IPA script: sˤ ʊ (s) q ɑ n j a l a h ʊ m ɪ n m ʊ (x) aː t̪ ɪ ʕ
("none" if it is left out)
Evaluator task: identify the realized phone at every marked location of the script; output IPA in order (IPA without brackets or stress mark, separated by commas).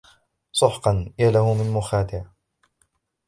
ħ, x